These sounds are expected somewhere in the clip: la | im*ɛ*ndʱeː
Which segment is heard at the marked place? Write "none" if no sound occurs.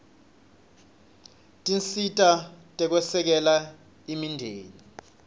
i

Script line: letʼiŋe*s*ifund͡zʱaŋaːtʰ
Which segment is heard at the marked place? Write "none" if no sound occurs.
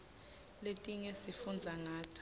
s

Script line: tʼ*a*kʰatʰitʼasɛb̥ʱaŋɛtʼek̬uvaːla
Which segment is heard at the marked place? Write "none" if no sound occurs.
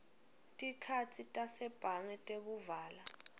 i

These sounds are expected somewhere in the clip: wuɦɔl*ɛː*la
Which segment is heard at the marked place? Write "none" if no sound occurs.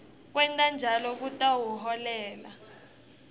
ɛː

